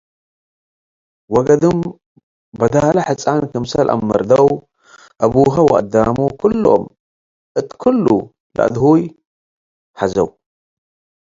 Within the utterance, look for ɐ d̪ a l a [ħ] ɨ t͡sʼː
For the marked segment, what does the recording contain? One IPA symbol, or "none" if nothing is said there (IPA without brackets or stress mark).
ħ